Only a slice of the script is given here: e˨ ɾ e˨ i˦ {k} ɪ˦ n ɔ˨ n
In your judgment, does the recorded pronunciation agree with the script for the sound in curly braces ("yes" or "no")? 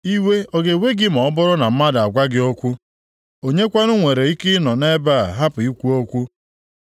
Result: yes